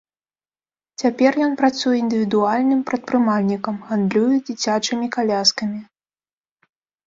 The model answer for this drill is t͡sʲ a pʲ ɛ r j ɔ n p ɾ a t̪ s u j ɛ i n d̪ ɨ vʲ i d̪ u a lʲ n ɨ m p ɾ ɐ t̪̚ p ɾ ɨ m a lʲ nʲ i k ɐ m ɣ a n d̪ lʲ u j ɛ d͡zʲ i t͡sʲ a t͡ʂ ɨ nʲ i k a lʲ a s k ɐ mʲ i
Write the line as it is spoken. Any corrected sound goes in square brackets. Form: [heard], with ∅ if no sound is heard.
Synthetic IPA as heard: t͡sʲ a pʲ ɛ r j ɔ n p ɾ a t̪ s u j ɛ i n d̪ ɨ vʲ i d̪ u a lʲ n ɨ m p ɾ ɐ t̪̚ p ɾ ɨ m a lʲ nʲ i k ɐ m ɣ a n d̪ lʲ u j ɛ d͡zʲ i t͡sʲ a t͡ʂ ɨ [mʲ] i k a lʲ a s k ɐ mʲ i